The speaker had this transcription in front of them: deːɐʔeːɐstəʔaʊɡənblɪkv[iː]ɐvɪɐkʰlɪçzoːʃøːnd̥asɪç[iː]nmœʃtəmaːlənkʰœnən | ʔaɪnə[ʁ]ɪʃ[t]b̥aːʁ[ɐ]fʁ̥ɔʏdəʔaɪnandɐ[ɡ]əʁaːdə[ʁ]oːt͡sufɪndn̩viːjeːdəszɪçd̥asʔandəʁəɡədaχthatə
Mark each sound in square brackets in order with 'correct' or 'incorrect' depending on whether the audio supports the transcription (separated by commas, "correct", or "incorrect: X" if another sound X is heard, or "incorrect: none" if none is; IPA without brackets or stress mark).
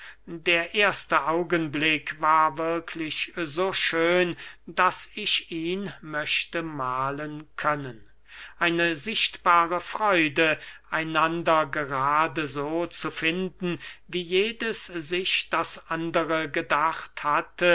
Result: incorrect: aː, correct, incorrect: z, correct, incorrect: ə, correct, incorrect: z